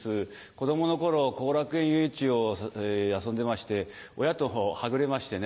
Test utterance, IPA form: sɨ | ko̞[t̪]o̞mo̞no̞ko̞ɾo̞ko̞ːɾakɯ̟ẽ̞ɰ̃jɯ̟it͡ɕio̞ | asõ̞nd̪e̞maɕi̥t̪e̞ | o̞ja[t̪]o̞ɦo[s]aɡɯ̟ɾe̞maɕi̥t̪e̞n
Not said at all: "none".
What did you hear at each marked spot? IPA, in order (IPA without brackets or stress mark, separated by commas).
d̪, t̪, h